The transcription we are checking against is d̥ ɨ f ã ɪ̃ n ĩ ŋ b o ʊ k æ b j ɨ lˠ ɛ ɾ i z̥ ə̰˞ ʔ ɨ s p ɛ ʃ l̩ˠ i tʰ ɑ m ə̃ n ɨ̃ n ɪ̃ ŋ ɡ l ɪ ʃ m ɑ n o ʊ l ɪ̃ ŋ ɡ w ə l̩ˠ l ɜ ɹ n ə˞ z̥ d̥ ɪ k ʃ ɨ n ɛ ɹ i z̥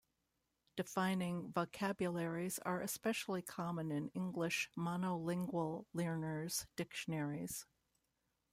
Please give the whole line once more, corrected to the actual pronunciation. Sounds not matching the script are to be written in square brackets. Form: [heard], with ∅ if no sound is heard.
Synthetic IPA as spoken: d̥ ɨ f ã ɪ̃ n [ɪ̃] ŋ [v] o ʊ [kʰ] æ b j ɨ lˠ ɛ [ɹ] i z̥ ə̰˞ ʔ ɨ s p ɛ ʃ l̩ˠ i [kʰ] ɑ m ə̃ n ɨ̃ n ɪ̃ ŋ ɡ l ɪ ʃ m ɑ n o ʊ l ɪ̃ ŋ ɡ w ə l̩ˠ l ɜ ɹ n ə˞ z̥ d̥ ɪ k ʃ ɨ n ɛ ɹ i z̥